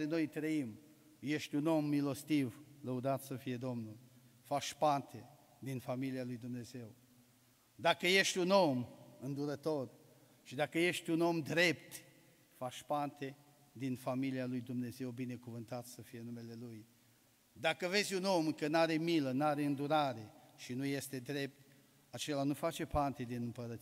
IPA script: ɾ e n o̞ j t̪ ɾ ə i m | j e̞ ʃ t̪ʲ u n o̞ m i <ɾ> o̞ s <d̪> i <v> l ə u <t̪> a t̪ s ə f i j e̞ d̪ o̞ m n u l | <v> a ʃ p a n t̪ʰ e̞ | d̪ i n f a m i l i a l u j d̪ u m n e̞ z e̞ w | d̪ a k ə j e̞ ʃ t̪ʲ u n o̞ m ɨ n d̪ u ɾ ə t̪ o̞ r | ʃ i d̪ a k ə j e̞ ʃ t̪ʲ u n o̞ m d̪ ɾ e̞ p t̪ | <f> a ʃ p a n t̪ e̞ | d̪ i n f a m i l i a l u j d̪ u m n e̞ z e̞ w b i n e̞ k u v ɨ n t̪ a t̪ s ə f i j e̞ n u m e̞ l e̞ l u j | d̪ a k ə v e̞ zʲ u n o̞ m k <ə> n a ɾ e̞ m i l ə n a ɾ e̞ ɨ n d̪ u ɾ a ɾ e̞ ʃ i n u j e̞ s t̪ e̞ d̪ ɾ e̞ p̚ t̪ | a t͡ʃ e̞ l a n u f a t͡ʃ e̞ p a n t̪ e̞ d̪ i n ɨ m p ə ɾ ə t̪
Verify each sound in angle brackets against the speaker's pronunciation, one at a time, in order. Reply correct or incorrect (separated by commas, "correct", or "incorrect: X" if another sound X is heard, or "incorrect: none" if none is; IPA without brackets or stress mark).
incorrect: l, incorrect: t̪, correct, incorrect: d̪, incorrect: f, correct, correct